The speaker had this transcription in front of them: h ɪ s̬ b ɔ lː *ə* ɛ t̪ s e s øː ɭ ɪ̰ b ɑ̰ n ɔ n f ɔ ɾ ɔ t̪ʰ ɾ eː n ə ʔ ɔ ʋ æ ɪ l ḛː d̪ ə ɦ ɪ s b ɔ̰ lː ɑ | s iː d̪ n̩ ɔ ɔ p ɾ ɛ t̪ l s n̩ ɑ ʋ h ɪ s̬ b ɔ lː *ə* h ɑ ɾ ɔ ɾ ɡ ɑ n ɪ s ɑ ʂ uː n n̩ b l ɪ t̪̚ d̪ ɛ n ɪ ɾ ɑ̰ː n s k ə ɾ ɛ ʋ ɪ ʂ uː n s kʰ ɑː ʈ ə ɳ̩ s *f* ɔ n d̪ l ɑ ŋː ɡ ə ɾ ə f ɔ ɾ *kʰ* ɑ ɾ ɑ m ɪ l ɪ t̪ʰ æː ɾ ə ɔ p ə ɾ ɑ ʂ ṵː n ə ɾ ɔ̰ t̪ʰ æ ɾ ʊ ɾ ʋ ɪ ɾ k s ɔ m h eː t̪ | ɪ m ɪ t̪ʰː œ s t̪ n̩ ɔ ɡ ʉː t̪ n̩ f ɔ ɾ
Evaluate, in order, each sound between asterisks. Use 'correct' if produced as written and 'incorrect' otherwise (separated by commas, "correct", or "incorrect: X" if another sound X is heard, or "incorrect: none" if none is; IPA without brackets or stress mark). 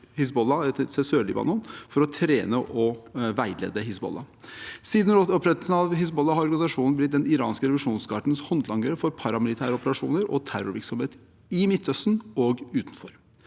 incorrect: ɑ, incorrect: ɑ, incorrect: h, incorrect: pʰ